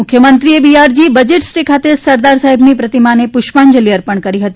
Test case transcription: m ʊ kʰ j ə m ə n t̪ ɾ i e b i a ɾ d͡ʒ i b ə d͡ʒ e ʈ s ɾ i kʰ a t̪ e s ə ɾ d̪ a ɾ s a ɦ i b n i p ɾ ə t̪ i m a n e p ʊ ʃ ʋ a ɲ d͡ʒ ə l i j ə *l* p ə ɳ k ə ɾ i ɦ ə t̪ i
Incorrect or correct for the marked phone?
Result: incorrect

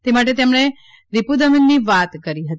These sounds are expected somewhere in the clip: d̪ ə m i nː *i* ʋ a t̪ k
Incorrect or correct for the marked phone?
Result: correct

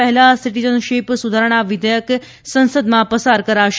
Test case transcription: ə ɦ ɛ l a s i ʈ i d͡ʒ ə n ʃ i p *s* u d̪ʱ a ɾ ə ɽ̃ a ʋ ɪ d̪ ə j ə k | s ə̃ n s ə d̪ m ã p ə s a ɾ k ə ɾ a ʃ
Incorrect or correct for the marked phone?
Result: correct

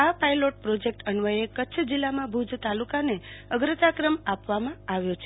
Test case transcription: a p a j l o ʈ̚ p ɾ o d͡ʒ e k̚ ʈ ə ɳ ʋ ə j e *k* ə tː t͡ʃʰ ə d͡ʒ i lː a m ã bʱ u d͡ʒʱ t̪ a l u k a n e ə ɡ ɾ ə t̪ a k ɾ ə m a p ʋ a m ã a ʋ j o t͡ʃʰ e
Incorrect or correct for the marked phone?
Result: correct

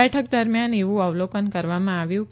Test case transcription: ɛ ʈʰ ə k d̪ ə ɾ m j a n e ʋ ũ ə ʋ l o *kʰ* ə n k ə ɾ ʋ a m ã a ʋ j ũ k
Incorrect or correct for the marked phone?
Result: incorrect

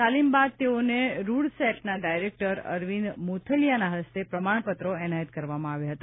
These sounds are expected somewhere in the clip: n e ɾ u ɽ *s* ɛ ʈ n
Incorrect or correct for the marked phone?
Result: correct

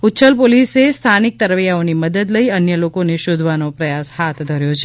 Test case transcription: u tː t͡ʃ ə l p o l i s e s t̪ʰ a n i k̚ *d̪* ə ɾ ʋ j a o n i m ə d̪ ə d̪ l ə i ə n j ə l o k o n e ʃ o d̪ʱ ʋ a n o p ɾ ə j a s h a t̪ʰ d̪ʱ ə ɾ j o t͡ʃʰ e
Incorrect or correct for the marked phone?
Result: incorrect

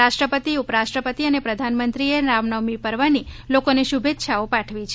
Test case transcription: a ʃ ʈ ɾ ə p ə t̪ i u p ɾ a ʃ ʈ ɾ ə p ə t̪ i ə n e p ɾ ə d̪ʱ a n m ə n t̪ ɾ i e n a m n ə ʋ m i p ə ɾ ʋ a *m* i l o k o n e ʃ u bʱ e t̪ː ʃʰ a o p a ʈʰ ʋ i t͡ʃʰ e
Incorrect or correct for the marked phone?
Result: incorrect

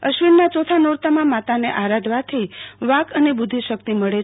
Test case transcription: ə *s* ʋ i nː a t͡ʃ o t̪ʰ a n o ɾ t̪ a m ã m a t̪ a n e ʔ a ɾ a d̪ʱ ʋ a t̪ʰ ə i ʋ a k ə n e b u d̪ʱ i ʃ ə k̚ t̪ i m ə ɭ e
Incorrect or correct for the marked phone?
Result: incorrect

